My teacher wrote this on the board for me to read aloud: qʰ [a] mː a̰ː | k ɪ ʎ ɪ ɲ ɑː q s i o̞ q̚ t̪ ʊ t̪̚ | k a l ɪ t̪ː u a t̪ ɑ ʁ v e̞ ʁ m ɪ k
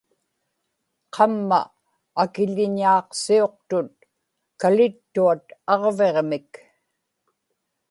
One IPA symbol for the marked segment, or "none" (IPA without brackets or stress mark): ɑ